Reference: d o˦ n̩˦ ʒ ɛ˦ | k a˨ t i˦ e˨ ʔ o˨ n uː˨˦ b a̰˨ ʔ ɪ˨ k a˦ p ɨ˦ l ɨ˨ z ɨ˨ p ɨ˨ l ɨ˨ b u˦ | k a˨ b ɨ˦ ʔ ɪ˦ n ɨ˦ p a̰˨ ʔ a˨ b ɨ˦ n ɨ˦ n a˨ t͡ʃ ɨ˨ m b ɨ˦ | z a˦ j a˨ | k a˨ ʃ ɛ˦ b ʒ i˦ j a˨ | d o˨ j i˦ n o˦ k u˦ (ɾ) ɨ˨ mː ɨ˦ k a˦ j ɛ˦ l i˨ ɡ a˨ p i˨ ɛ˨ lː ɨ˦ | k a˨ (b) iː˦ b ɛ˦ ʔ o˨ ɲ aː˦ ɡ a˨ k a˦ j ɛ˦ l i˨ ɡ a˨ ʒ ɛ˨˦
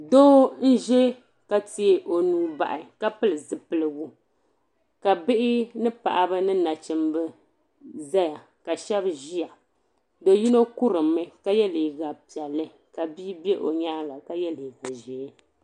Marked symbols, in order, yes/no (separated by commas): yes, yes